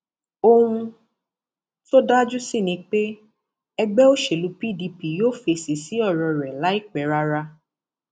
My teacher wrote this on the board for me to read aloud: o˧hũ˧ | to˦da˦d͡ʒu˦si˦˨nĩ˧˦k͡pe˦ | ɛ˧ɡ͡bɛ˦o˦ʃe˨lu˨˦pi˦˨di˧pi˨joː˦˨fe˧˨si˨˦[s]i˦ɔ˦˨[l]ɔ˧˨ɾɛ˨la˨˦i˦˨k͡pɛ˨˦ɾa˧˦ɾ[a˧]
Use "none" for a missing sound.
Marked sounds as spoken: s, ɾ, a˧

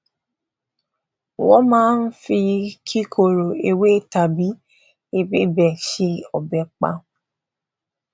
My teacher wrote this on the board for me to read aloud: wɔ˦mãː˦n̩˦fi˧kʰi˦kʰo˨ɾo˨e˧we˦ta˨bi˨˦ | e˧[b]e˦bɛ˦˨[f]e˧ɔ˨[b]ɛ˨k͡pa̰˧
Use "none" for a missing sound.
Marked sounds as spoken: b, ʃ, b

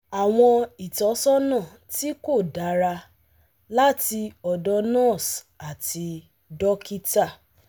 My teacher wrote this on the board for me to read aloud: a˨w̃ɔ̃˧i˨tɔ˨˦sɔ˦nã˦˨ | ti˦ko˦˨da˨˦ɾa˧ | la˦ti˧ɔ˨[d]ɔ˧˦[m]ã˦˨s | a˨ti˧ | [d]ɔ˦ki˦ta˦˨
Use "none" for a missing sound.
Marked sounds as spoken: d, n, d

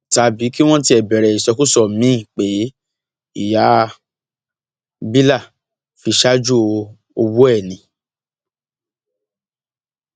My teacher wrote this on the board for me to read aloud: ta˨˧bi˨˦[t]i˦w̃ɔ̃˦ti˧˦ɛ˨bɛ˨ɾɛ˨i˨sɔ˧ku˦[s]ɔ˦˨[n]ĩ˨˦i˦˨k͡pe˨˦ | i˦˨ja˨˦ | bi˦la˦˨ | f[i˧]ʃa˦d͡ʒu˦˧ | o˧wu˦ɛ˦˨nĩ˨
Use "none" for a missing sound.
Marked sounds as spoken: k, s, m, i˧

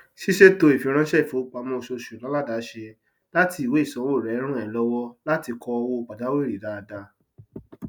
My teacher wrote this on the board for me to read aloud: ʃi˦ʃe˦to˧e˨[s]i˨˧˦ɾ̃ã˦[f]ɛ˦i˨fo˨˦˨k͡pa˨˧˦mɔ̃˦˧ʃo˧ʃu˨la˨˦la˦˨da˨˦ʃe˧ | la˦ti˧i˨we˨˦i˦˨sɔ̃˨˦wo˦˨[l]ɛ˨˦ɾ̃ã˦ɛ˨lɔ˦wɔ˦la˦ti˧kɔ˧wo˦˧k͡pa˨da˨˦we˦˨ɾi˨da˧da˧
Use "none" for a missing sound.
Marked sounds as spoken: f, ʃ, ɾ

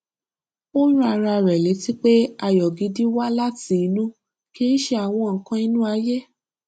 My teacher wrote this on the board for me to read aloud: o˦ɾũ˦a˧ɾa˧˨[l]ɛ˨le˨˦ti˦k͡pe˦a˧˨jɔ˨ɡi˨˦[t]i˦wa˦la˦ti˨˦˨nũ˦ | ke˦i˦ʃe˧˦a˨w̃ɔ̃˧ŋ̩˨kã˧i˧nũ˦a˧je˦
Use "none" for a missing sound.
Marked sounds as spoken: ɾ, d

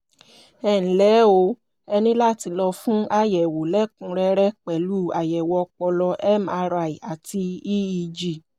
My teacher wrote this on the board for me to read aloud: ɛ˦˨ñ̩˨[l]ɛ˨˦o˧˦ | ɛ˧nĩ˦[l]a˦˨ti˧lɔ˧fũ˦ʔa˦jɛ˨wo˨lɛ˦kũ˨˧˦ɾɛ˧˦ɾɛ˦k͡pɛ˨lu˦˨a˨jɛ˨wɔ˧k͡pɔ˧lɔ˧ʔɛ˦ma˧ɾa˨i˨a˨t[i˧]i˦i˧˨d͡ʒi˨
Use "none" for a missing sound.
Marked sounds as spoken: l, l, i˧

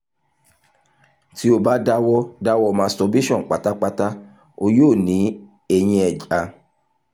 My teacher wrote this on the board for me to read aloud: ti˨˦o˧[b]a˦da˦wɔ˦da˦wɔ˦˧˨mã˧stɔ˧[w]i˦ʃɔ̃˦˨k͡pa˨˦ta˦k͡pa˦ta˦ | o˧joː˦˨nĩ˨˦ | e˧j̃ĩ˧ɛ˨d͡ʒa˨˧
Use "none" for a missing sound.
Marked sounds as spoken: b, b

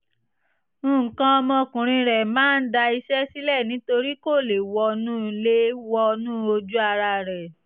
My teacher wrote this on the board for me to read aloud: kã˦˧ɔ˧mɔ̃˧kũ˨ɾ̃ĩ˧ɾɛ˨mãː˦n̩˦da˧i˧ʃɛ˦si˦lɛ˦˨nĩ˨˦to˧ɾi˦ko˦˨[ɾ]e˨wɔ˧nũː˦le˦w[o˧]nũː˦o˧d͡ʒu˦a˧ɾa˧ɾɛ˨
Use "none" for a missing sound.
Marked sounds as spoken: l, ɔ˧

